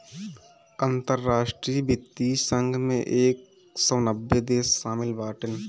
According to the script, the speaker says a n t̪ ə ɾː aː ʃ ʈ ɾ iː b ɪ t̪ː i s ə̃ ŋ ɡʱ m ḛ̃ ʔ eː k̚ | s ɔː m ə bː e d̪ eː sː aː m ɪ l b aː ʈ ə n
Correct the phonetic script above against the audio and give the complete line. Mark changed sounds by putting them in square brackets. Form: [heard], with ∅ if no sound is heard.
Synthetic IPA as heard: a n t̪ ə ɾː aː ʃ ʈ ɾ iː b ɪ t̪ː i s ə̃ ŋ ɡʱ m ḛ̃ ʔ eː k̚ | s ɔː [n] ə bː e d̪ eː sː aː m ɪ l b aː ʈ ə n